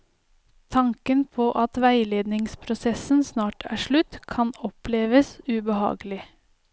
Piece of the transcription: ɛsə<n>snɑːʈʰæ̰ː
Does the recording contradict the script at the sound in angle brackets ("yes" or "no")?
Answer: no